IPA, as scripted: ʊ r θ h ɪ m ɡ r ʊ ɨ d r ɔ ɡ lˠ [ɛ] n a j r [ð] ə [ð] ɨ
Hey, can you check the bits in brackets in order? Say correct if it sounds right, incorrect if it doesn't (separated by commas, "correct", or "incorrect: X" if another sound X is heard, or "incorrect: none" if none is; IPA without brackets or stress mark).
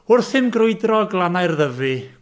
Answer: incorrect: a, correct, incorrect: v